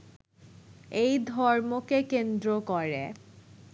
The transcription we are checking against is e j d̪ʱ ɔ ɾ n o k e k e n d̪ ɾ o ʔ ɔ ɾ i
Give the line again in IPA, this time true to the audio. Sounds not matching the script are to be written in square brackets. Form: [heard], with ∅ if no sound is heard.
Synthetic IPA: e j d̪ʱ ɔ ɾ [m] o k e k e n d̪ ɾ o [k] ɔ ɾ [e]